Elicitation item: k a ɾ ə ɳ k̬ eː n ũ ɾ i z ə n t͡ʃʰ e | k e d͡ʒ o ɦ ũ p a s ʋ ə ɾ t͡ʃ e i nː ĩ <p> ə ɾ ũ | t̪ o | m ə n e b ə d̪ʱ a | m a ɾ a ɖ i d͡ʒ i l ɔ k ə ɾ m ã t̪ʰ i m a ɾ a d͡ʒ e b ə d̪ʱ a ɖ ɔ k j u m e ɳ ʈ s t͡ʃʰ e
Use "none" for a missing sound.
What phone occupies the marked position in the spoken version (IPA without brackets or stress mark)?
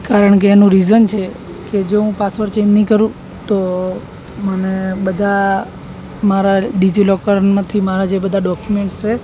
k